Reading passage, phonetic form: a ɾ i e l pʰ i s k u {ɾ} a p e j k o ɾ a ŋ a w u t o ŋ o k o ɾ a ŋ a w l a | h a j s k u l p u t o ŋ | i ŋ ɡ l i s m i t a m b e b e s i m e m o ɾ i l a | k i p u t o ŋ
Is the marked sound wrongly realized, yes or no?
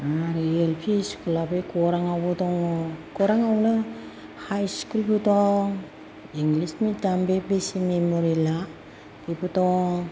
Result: yes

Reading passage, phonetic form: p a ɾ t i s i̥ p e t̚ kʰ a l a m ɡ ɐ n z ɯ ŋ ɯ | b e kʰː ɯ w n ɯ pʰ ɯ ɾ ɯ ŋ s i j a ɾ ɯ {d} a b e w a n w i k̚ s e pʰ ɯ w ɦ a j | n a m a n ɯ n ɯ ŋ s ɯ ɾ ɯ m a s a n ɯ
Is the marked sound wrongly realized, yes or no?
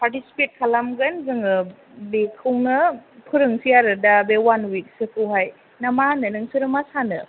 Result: no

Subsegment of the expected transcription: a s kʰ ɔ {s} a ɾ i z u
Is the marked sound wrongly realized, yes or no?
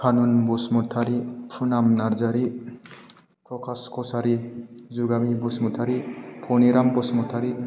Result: no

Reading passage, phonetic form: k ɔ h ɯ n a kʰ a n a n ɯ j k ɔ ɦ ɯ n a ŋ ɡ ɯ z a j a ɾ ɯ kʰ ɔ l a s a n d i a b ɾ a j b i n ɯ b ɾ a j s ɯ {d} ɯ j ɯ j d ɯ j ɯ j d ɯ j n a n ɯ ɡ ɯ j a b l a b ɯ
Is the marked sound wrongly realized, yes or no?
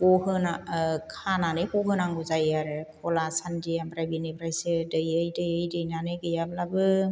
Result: no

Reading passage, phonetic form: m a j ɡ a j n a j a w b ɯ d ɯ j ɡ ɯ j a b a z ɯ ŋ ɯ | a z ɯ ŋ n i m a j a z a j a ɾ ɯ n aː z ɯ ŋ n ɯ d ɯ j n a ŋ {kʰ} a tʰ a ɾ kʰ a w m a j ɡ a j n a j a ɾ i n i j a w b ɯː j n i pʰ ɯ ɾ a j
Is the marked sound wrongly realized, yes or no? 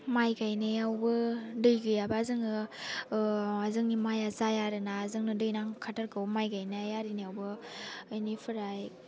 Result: no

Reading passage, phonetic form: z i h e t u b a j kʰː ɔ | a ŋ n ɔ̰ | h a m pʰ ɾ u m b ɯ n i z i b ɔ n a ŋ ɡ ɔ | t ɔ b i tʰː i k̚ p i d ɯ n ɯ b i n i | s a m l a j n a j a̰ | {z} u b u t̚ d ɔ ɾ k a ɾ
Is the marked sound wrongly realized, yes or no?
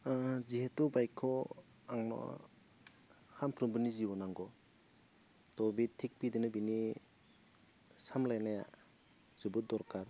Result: no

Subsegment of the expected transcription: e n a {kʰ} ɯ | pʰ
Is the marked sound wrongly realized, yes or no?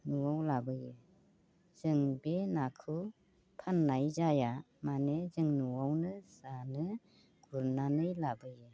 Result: no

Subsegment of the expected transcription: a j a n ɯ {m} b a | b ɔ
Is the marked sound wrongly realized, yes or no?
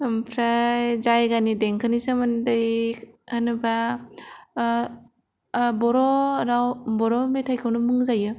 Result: yes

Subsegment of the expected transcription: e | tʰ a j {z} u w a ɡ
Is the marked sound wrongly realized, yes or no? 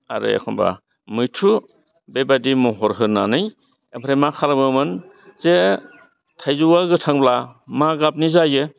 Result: no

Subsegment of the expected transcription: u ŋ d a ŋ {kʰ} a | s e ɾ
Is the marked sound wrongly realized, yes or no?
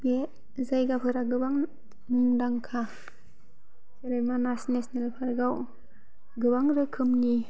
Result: no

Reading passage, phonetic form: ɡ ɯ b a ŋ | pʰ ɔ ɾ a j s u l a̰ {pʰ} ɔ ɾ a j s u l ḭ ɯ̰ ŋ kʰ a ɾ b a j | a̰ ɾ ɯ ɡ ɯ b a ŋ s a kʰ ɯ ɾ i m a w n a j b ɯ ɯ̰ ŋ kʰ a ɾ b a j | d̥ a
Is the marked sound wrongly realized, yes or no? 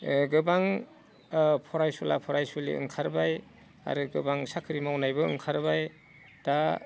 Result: no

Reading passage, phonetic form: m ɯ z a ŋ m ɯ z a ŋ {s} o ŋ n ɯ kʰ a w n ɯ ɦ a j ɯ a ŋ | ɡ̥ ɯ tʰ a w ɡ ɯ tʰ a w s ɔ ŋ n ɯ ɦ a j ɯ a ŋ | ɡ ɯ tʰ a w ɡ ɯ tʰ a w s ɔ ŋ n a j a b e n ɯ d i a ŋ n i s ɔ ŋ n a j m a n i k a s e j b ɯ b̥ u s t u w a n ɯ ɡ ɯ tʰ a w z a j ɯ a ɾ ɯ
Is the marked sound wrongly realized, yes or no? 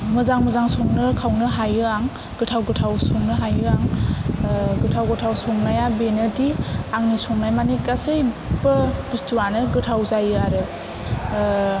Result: no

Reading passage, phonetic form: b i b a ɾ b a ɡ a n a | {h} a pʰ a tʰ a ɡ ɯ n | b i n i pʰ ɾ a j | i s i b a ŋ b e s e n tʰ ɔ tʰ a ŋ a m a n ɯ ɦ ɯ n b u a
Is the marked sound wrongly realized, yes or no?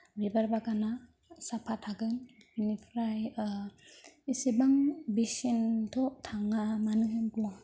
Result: yes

